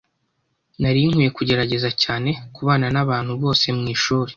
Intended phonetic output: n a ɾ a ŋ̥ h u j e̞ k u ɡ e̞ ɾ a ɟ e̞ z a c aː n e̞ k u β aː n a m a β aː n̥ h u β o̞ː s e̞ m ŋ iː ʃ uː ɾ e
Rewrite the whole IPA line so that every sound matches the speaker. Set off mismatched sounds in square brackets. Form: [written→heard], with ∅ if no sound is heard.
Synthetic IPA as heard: n a ɾ [a→i] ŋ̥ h u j e̞ k u [ɡ→ɟ] e̞ ɾ a ɟ e̞ z a c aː n e̞ k u β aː n a [m→n] a β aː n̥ h u β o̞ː s e̞ m ŋ iː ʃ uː ɾ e